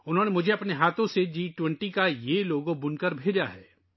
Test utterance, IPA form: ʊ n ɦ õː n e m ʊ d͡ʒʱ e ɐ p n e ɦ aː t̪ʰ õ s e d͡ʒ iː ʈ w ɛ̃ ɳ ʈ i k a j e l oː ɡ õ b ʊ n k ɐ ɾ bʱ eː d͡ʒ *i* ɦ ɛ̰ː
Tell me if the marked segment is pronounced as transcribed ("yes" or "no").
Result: no